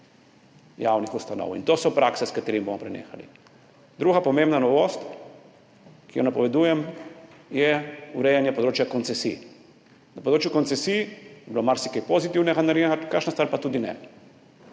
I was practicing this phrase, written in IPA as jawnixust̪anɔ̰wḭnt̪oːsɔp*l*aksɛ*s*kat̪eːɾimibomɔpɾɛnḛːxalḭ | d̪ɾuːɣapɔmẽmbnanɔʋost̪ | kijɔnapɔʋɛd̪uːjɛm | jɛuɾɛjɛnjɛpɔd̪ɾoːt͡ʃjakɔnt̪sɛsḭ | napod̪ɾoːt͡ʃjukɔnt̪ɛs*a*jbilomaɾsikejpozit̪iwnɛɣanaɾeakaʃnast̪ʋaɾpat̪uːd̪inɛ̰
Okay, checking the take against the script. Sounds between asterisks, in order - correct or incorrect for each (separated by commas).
incorrect, correct, incorrect